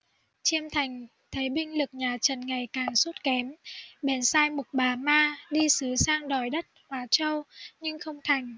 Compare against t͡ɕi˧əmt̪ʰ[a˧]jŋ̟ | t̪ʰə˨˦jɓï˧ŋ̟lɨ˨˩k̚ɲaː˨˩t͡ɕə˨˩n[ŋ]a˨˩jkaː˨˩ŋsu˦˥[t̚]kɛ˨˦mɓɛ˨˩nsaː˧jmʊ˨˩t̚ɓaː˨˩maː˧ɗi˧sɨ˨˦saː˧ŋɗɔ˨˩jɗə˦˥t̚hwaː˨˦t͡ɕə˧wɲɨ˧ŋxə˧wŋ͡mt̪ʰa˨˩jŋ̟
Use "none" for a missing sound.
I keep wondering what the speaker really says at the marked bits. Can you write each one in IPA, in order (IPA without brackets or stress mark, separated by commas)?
a˨˩, ŋ, t̚